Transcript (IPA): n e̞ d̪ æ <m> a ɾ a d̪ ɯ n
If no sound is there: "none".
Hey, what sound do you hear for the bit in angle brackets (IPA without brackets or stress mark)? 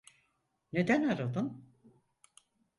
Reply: n